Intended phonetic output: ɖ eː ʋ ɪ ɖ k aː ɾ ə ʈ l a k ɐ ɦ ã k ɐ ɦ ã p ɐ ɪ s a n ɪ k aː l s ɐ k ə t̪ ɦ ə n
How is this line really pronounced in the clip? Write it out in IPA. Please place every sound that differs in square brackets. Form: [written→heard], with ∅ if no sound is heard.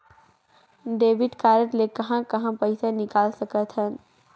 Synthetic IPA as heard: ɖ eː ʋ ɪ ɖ k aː ɾ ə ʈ l [a→e] k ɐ ɦ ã k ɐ ɦ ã p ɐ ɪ s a n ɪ k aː l s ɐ k ə t̪ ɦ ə n